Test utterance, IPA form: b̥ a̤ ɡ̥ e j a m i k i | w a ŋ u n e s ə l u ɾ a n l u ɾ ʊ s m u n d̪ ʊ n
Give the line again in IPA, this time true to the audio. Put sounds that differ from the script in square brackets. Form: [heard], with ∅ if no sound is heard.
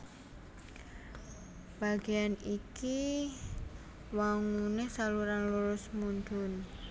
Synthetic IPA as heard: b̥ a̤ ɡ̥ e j a [n] i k i | w a ŋ u n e s [a] l u ɾ a n l u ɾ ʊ s m u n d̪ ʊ n